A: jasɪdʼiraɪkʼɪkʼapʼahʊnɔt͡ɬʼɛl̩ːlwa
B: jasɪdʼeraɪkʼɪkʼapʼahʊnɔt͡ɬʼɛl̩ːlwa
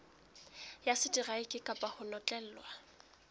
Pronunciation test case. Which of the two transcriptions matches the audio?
A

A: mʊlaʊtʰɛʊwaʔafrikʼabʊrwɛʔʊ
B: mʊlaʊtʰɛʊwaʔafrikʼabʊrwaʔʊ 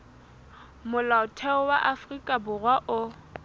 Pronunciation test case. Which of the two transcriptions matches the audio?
B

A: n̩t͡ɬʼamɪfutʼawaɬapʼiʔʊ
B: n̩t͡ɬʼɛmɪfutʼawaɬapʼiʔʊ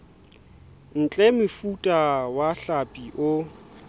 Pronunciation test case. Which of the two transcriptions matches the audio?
B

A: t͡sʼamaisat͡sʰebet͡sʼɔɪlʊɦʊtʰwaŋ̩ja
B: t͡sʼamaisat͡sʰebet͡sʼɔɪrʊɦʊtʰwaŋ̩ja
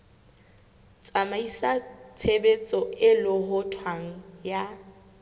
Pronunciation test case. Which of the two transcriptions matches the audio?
A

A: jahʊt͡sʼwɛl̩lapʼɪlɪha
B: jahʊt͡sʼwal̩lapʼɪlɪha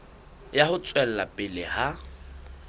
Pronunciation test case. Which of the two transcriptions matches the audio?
A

